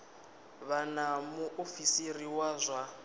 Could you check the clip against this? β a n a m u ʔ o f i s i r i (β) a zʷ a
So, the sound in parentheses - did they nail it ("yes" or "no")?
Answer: no